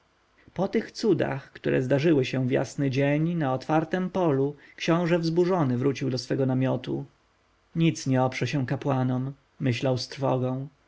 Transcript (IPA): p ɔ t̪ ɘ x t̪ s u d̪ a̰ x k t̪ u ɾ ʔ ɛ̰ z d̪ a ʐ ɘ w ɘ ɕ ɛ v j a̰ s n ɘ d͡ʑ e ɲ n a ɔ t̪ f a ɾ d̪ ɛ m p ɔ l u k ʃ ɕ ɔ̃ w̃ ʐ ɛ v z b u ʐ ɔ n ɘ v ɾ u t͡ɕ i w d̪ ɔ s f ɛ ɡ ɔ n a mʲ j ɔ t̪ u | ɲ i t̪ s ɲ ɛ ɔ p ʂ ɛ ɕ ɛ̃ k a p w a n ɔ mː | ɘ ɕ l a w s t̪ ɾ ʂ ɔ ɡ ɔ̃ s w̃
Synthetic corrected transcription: p ɔ t̪ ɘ x t̪ s u d̪ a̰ x k t̪ u ɾ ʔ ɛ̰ z d̪ a ʐ ɘ w ɘ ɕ ɛ v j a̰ s n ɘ d͡ʑ e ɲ n a ɔ t̪ f a ɾ t̪ ɛ m p ɔ l u k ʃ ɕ ɔ̃ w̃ ʐ ɛ v z b u ʐ ɔ n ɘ v ɾ u t͡ɕ i w d̪ ɔ s f ɛ ɡ ɔ n a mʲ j ɔ t̪ u | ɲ i t̪ s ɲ ɛ ɔ p ʂ ɛ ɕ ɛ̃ k a p w a n ɔ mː | ɘ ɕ l a w s t̪ ɾ f ɔ ɡ ɔ̃ w̃